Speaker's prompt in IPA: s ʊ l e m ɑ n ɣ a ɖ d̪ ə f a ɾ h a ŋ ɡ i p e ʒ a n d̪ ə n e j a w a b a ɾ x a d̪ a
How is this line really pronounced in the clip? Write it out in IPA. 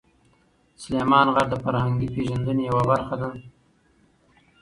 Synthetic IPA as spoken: s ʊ l e m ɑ n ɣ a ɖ d̪ ə f a ɾ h a ŋ ɡ i p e ʒ a n d̪ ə n e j a w a b a ɾ x a d̪ a